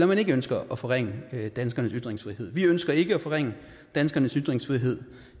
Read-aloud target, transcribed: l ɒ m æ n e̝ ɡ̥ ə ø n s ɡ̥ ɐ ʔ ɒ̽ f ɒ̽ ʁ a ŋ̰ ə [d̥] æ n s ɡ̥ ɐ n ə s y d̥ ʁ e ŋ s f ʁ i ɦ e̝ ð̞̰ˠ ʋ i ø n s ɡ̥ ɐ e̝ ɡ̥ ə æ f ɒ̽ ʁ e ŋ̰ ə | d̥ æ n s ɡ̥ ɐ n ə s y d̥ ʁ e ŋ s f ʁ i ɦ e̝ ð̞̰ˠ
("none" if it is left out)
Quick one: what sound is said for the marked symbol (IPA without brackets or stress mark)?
d̥